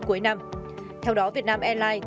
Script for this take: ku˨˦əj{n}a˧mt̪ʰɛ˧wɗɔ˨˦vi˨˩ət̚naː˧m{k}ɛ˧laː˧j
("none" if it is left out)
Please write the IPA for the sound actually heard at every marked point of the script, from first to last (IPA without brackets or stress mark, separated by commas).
n, ʔ